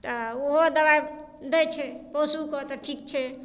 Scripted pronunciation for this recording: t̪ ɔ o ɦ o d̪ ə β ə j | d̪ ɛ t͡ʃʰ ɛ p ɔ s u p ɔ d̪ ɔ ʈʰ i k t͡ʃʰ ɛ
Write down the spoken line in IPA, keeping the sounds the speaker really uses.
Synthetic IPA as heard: t̪ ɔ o ɦ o d̪ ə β a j | d̪ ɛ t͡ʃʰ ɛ p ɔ s u k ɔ t̪ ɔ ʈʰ i k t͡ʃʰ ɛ